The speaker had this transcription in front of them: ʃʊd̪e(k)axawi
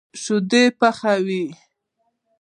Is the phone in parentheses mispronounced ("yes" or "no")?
yes